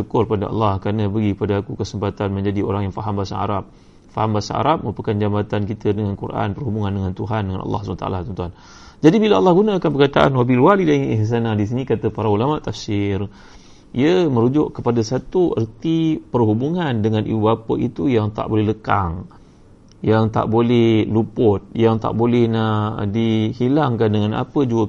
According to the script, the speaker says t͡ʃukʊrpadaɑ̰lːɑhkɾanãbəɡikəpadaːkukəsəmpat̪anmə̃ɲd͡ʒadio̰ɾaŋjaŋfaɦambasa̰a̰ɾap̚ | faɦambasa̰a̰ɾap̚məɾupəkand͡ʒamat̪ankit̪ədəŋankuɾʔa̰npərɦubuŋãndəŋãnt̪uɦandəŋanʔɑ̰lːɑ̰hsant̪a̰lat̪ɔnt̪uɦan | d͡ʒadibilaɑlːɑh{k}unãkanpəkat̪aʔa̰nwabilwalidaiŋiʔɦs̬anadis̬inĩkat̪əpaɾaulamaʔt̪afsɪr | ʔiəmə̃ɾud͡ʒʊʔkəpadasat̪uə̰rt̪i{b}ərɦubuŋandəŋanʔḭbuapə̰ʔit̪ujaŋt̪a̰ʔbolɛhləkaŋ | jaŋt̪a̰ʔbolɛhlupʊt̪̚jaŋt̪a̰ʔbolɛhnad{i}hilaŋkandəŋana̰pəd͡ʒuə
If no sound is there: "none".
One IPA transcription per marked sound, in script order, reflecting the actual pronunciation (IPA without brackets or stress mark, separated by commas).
ɡ, p, i